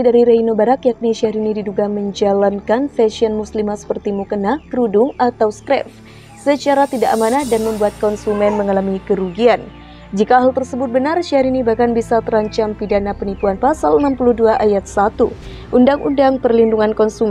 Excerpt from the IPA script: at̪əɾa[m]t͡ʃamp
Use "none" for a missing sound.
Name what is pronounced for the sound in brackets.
ɲ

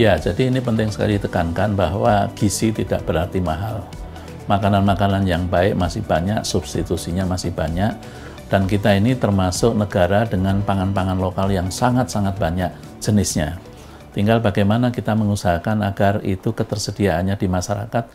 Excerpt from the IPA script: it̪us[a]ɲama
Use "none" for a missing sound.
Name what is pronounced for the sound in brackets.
i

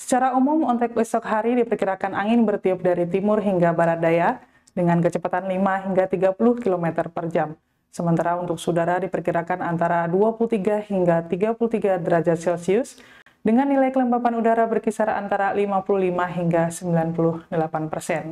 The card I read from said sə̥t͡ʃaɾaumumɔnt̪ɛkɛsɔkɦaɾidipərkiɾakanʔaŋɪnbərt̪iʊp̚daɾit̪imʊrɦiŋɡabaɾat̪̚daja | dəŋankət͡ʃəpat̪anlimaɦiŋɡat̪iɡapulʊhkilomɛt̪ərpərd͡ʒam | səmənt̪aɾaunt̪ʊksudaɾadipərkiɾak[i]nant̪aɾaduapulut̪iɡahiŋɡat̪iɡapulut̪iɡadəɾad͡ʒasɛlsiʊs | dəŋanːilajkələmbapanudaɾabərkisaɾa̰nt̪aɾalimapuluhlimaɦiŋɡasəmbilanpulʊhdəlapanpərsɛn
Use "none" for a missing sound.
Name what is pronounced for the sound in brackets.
a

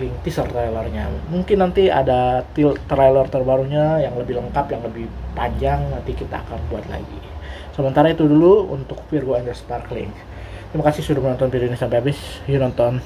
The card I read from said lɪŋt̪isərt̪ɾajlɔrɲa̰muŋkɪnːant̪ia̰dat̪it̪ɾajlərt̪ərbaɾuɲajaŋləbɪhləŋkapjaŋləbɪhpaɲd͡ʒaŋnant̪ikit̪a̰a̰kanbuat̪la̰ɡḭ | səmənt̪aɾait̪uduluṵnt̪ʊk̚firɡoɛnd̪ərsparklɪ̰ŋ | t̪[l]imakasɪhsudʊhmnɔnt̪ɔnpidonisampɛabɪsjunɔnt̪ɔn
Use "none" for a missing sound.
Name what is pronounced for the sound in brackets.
ɾ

